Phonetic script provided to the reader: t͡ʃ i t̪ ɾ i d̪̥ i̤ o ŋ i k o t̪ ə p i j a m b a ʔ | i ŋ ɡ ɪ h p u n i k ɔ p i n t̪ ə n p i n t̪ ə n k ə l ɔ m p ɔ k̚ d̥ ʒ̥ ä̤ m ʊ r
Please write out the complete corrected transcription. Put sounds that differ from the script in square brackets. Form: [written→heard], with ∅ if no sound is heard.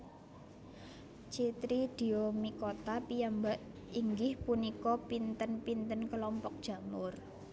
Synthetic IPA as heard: t͡ʃ i t̪ ɾ i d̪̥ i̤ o [ŋ→m] i k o t̪ [ə→a] p i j a m b a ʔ | i ŋ ɡ ɪ h p u n i k ɔ p i n t̪ ə n p i n t̪ ə n k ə l ɔ m p ɔ k̚ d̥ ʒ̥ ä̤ m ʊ r